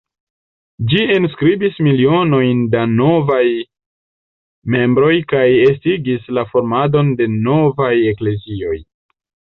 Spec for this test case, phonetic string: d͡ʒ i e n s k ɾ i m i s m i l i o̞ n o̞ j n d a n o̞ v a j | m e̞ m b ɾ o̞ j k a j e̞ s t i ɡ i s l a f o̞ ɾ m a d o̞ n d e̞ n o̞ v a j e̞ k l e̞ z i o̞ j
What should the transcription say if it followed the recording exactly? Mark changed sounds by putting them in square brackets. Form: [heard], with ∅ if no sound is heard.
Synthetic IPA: d͡ʒ i e n s k ɾ i [b] i s m i l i o̞ n o̞ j n d a n o̞ v a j | m e̞ m b ɾ o̞ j k a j e̞ s t i ɡ i s l a f o̞ ɾ m a d o̞ n d e̞ n o̞ v a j e̞ k l e̞ z i o̞ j

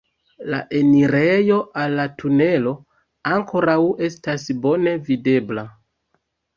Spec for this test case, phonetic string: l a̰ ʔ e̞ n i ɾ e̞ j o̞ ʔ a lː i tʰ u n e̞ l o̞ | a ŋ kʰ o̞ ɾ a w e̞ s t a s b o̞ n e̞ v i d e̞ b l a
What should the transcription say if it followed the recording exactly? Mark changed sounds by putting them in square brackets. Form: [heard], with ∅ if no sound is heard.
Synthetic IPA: l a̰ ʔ e̞ n i ɾ e̞ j o̞ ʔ a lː [a] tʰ u n e̞ l o̞ | a ŋ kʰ o̞ ɾ a w e̞ s t a s b o̞ n e̞ v i d e̞ b l a

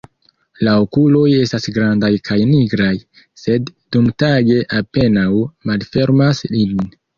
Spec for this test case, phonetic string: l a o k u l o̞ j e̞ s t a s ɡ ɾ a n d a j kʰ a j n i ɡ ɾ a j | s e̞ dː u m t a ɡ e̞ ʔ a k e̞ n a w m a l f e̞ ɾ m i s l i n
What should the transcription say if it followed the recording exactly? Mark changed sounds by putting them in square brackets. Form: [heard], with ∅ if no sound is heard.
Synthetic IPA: l a o k u l o̞ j e̞ s t a s ɡ ɾ a n d a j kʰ a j n i ɡ ɾ a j | s e̞ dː u m t a ɡ e̞ ʔ a [p] e̞ n a w m a l f e̞ ɾ m [a] s l i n

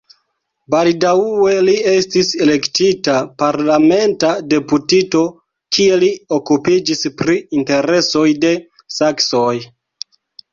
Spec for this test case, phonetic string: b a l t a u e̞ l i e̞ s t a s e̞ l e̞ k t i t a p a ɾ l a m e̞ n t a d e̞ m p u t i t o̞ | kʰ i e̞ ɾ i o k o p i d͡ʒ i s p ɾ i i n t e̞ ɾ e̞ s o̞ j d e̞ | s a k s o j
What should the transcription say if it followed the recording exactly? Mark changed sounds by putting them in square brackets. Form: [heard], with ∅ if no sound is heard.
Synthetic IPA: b a l [d] a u e̞ l i e̞ s t [i] s e̞ l e̞ k t i t a p a ɾ l a m e̞ n t a d e̞ [∅] p u t i t o̞ | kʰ i e̞ [l] i o k [u] p i d͡ʒ i s p ɾ i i n t e̞ ɾ e̞ s o̞ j d e̞ | s a k s o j

